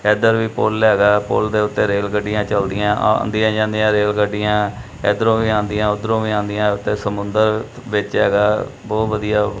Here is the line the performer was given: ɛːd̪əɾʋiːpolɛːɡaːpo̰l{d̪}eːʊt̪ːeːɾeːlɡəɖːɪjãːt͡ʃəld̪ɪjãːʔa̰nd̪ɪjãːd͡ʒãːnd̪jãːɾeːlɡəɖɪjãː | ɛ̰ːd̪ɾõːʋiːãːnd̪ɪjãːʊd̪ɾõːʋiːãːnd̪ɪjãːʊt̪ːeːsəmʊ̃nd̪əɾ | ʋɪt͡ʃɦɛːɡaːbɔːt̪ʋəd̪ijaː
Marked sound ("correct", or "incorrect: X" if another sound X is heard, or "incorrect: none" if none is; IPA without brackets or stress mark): correct